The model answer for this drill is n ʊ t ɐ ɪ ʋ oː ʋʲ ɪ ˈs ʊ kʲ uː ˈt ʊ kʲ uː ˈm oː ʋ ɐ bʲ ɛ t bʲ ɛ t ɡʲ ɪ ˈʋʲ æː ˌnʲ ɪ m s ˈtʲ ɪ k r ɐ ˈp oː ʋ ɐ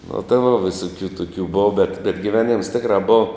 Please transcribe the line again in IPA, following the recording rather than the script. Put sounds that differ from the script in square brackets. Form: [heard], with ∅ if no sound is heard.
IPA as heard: n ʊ t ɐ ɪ ʋ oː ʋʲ ɪ ˈs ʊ kʲ uː ˈt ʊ kʲ uː [ˈb] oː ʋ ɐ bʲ ɛ t bʲ ɛ t ɡʲ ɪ ˈʋʲ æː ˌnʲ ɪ m s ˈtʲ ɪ k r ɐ [ˈb] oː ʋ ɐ